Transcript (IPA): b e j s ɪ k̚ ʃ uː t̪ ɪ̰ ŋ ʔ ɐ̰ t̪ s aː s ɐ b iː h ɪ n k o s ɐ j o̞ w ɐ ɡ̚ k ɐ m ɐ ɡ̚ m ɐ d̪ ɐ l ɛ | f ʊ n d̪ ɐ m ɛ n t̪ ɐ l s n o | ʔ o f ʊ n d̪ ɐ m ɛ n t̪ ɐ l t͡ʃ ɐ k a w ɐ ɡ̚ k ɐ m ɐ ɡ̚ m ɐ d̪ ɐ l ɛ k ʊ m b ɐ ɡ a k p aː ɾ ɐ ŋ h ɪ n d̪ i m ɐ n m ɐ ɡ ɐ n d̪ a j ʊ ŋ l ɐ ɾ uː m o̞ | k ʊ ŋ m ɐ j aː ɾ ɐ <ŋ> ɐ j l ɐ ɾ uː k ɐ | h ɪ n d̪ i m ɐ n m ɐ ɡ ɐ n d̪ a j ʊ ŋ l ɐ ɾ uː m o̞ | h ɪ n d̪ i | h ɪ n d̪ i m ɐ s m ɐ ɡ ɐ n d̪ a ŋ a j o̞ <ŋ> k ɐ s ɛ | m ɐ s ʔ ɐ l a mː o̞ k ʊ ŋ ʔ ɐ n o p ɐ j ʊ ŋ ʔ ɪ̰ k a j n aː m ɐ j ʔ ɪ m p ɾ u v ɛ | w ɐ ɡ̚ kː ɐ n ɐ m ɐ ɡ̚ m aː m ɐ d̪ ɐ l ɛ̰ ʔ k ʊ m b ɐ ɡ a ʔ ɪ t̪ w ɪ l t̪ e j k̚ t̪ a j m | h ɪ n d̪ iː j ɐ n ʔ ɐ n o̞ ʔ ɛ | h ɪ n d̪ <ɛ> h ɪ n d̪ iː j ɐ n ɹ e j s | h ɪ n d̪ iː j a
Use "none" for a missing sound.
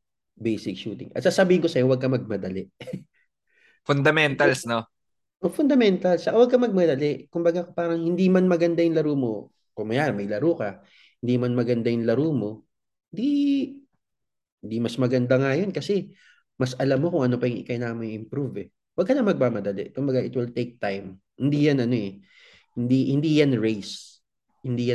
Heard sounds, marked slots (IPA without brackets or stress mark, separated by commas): m, n, i